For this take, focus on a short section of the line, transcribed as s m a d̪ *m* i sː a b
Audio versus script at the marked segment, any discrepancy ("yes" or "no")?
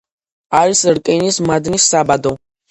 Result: yes